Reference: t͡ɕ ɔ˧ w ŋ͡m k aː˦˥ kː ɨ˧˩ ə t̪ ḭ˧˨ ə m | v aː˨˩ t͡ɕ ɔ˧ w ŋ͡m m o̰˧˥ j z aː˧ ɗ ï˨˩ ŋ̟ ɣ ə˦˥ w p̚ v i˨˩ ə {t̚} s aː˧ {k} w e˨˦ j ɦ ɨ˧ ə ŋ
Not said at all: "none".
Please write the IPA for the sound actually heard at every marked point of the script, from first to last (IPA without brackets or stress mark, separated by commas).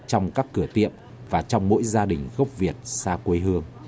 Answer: t̚, k